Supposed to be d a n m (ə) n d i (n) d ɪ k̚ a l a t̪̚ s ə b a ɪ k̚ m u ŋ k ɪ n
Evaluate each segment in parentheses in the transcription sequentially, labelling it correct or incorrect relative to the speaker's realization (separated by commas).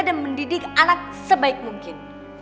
correct, incorrect